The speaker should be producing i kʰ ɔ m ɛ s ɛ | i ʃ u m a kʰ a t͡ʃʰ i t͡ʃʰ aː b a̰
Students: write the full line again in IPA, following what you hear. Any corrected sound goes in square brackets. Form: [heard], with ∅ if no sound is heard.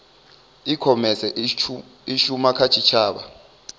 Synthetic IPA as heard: i kʰ ɔ m ɛ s ɛ | i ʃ u m a kʰ a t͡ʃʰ i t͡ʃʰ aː [ɓ] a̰